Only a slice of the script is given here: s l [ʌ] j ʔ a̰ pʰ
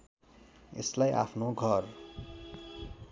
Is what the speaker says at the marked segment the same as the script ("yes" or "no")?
no